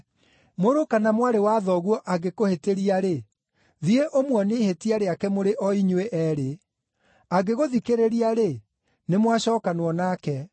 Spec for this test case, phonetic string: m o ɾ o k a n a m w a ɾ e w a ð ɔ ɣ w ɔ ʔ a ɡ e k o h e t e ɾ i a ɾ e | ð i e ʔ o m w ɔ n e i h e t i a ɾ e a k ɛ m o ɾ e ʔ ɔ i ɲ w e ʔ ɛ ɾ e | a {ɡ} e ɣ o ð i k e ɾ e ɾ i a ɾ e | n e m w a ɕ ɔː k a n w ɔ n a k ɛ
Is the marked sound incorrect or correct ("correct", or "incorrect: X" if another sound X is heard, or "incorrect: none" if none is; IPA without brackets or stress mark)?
correct